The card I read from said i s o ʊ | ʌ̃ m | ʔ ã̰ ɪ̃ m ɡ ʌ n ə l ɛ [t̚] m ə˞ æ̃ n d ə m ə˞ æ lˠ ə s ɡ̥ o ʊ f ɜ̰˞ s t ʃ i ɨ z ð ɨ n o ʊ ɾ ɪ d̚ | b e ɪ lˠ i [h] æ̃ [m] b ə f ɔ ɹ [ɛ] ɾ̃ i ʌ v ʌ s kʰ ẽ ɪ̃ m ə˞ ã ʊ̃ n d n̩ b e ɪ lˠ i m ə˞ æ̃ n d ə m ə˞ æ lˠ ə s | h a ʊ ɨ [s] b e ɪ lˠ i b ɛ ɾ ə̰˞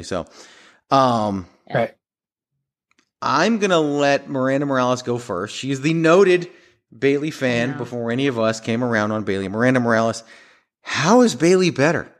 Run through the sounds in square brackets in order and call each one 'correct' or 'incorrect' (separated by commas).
correct, incorrect, incorrect, correct, incorrect